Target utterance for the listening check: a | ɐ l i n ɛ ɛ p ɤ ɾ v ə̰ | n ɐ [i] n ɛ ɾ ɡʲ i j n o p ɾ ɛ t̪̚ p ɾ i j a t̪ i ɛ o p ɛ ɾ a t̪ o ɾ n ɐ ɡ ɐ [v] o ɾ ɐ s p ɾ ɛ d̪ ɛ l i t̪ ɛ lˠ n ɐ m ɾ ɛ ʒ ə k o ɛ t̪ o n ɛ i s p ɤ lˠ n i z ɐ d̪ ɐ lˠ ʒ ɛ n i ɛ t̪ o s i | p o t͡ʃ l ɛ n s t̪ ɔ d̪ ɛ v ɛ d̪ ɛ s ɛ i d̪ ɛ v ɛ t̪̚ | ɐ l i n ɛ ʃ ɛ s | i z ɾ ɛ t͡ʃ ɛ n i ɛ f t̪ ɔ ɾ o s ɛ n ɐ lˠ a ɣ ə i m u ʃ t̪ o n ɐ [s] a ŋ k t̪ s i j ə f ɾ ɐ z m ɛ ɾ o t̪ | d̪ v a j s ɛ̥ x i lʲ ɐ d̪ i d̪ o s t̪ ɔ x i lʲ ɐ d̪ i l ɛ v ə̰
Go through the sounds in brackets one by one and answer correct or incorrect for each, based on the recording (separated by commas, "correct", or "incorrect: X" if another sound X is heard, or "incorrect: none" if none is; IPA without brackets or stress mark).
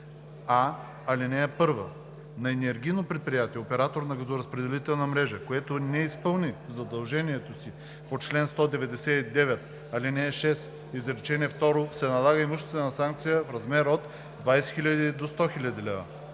incorrect: ɛ, incorrect: z, correct